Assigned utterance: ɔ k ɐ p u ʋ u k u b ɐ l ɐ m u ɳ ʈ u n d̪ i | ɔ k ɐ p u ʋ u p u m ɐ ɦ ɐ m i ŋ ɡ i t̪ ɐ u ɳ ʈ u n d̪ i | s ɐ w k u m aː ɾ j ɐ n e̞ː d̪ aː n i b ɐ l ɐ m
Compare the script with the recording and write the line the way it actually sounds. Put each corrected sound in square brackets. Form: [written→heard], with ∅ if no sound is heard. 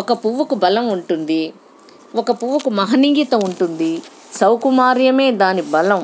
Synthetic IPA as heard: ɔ k ɐ p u ʋ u k u b ɐ l ɐ m u ɳ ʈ u n d̪ i | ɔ k ɐ p u ʋ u [p→k] u m ɐ ɦ ɐ [m→n] i ŋ ɡ i t̪ ɐ u ɳ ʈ u n d̪ i | s ɐ w k u m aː ɾ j ɐ [n→m] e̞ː d̪ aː n i b ɐ l ɐ m